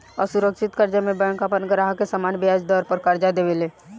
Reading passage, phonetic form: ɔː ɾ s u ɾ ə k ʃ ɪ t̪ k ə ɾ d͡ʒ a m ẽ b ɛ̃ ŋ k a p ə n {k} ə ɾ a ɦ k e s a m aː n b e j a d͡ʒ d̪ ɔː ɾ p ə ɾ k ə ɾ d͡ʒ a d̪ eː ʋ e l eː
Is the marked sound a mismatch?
yes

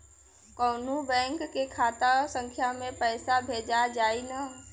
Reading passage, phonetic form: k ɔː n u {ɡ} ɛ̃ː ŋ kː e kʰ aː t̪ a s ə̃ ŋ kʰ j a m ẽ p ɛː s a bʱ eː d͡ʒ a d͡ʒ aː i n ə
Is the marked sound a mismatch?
yes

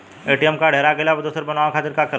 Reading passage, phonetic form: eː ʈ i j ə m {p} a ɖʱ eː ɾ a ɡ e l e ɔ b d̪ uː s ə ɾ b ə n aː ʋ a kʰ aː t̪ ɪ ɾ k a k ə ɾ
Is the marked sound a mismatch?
yes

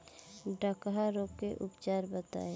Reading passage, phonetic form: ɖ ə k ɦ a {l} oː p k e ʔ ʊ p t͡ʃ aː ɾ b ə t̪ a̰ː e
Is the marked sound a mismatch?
yes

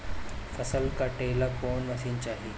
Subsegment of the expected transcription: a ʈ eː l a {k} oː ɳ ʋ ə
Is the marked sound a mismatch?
no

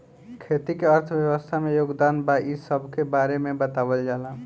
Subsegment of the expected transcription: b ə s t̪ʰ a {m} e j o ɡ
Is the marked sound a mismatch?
no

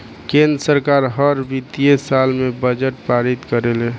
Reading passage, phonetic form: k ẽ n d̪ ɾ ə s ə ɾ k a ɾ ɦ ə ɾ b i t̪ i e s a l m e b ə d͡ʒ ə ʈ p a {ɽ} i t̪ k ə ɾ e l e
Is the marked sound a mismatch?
yes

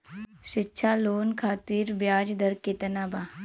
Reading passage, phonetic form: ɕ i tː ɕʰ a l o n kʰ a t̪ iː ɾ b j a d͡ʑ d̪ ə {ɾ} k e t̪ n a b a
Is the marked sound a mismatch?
no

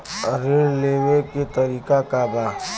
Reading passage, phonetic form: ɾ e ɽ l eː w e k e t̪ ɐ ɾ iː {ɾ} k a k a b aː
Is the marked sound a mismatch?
yes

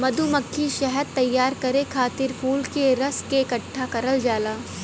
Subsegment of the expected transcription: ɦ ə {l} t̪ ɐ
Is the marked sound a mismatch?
yes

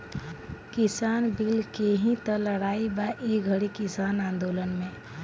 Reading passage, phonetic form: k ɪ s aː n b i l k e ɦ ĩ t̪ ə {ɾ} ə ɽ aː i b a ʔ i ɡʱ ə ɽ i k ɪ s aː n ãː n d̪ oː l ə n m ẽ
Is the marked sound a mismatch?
yes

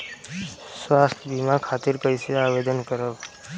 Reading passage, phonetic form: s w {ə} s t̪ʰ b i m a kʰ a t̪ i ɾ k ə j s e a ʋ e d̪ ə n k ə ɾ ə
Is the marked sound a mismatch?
yes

